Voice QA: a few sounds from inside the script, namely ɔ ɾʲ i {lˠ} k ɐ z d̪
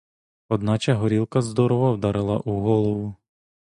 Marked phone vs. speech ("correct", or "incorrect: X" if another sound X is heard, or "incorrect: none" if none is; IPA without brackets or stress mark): correct